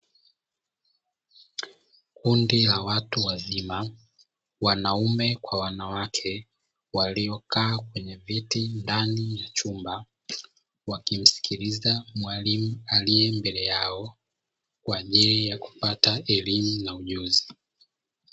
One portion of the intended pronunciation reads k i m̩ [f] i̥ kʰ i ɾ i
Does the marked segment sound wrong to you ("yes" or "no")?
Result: yes